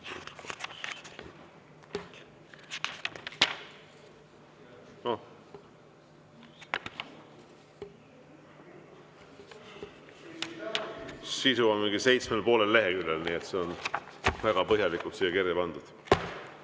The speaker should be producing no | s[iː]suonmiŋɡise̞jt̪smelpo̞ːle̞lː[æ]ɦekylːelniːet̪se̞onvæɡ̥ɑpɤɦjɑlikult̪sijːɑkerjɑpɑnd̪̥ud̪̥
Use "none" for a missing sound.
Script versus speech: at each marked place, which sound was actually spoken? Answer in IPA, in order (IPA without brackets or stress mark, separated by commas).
i, e